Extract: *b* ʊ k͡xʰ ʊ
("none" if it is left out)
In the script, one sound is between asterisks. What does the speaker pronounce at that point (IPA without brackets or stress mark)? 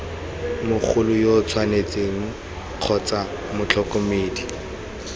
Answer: m